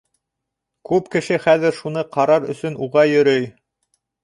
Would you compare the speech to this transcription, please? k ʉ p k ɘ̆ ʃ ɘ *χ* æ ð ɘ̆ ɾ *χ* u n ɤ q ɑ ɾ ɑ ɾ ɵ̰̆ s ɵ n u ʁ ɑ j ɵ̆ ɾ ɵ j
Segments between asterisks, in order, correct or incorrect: correct, incorrect: ʃ

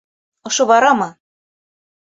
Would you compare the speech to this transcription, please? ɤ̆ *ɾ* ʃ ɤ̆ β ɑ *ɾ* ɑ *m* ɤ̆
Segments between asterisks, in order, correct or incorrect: incorrect: none, correct, correct

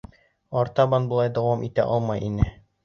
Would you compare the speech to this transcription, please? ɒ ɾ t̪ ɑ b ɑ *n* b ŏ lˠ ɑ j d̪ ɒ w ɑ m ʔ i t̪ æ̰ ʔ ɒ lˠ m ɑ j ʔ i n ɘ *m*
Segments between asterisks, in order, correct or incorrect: correct, incorrect: none

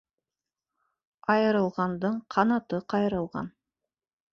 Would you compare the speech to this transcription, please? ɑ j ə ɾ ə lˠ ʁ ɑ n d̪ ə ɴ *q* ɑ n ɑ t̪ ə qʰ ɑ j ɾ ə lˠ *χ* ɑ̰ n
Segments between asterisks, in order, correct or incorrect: incorrect: qʰ, incorrect: ʁ

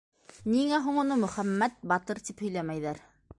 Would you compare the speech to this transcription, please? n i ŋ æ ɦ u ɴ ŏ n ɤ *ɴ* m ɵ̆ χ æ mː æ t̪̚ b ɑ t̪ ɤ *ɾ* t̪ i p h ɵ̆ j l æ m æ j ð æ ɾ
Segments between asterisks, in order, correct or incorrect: incorrect: none, correct

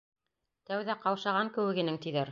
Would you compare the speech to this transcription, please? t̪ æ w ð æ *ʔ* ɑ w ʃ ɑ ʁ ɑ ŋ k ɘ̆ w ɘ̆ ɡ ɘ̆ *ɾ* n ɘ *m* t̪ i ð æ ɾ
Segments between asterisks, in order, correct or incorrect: incorrect: q, incorrect: none, incorrect: ŋ

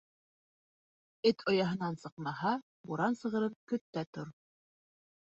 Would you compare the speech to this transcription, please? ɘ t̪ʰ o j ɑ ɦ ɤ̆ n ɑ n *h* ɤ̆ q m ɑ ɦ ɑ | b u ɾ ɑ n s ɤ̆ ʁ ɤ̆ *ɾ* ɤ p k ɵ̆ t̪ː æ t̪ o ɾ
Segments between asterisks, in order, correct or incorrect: incorrect: s, correct

